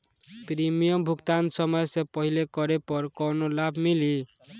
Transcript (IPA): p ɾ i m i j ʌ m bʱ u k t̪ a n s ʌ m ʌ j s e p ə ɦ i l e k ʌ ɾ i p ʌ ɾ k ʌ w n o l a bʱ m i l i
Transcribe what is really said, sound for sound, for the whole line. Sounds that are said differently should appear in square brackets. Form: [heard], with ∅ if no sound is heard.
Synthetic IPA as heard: p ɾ i m i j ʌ m bʱ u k t̪ a n s ʌ m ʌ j s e p [ʌ] ɦ i l e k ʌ ɾ [e] p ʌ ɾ k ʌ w n o l a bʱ m i l i